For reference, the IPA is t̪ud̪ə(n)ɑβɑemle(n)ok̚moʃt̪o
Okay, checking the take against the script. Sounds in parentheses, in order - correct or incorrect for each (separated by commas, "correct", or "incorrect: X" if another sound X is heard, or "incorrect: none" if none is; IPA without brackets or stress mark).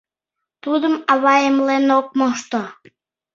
incorrect: m, correct